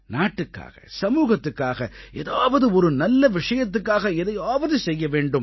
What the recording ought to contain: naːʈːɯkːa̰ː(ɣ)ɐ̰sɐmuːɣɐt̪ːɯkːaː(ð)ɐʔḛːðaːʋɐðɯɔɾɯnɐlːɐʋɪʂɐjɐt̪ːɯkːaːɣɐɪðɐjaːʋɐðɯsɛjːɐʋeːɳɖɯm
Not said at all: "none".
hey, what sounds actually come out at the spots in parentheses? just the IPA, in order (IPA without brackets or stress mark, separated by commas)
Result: ɣ, ɣ